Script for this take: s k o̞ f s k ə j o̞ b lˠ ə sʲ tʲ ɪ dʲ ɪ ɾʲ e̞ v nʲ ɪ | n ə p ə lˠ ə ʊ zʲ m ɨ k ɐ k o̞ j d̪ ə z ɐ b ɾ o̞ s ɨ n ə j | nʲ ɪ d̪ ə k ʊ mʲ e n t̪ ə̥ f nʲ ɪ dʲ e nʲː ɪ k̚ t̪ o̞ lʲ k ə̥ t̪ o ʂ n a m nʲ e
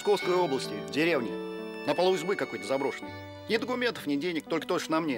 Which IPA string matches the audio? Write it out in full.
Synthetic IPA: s k o̞ f s k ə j o̞ b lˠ ə sʲ tʲ ɪ dʲ ɪ ɾʲ e̞ v nʲ ɪ | n ə p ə lˠ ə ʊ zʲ b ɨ k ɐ k o̞ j t̪ ə z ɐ b ɾ o̞ ʂ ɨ n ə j | nʲ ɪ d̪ ə k ʊ mʲ e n t̪ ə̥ f nʲ ɪ dʲ e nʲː ɪ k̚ t̪ o̞ lʲ k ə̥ t̪ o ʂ n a m nʲ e